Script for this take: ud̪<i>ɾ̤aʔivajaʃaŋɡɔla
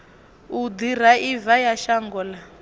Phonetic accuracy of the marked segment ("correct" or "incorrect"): correct